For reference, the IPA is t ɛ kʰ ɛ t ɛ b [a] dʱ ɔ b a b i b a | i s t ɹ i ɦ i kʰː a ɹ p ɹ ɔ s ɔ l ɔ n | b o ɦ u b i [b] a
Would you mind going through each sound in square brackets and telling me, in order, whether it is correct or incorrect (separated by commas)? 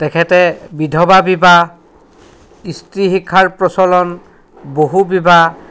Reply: incorrect, correct